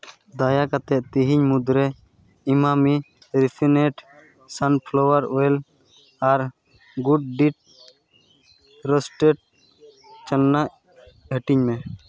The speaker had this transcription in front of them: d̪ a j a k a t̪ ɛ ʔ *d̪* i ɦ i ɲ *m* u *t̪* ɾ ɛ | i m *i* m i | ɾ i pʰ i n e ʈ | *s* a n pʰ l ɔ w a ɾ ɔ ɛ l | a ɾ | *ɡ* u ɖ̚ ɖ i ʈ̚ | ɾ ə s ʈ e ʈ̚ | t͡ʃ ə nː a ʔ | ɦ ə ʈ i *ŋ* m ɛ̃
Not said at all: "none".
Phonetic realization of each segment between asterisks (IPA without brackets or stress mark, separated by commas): t̪, m, d̪, a, s, ɡ, ɲ